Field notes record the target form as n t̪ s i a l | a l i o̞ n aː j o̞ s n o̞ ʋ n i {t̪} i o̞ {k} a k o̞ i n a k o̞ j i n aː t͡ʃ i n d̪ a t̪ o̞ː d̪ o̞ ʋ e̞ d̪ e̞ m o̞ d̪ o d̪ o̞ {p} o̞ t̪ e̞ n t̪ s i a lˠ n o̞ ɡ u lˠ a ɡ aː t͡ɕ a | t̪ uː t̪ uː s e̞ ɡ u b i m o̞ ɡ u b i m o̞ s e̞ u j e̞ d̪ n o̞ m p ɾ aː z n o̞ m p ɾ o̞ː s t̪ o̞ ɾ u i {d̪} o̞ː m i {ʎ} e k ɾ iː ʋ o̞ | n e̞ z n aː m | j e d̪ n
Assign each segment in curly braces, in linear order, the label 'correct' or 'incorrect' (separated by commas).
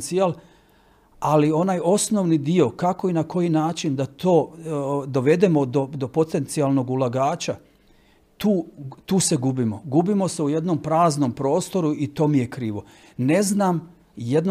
incorrect, correct, correct, incorrect, incorrect